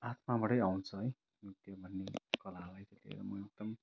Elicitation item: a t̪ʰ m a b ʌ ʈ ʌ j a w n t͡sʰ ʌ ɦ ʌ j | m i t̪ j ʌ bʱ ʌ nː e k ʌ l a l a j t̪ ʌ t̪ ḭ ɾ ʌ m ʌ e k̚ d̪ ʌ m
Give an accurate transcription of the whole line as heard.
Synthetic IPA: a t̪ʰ m a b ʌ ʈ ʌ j a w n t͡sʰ ʌ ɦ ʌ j | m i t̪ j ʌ bʱ ʌ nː e k ʌ l a l a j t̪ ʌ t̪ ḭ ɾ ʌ m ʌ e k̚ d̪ ʌ m